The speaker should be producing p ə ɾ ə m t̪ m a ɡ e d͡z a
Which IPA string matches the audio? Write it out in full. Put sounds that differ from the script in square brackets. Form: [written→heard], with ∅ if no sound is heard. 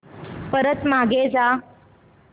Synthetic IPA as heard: p ə ɾ ə [m→∅] t̪ m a ɡ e d͡z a